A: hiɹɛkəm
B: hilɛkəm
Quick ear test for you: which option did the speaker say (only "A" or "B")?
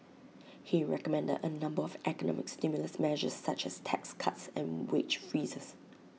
A